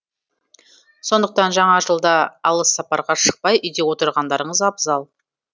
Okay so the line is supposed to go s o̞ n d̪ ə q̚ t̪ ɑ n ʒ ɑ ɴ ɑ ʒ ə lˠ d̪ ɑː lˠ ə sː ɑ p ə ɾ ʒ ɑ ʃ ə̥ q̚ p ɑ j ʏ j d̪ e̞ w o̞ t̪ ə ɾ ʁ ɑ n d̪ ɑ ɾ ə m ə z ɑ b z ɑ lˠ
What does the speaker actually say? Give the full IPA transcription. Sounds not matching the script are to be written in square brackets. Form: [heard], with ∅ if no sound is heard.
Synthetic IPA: s o̞ n d̪ ə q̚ t̪ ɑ n ʒ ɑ ɴ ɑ ʒ ə lˠ d̪ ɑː lˠ ə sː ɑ p [ɑ] ɾ [ʁ] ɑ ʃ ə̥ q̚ p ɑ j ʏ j d̪ e̞ w o̞ t̪ ə ɾ ʁ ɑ n d̪ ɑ ɾ ə [ɴ] ə z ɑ b z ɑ lˠ